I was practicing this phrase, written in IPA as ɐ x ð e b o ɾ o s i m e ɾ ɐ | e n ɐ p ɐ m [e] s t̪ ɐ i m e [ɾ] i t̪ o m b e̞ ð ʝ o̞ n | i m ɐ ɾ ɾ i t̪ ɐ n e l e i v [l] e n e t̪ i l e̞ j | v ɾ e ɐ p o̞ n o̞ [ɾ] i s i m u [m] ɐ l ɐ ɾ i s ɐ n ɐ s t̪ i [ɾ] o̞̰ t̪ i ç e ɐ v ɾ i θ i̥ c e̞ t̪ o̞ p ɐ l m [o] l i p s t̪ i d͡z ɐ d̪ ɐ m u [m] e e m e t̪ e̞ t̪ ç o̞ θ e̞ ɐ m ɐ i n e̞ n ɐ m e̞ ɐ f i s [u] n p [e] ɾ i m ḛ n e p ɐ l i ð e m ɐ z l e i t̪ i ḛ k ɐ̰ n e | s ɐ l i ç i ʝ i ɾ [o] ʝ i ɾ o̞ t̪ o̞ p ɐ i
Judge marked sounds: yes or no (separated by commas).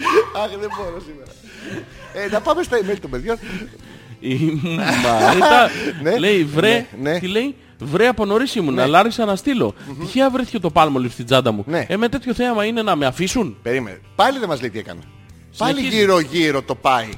yes, no, no, yes, no, no, yes, no, yes, yes, yes